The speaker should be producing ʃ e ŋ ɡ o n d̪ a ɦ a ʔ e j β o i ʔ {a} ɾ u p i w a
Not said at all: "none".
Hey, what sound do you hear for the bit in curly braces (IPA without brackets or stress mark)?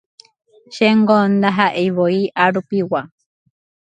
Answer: a